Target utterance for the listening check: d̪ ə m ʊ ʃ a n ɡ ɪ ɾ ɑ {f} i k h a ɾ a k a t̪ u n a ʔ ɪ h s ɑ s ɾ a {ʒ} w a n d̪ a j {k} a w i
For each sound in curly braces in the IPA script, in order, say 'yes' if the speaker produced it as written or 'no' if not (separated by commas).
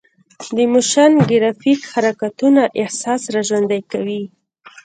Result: yes, yes, yes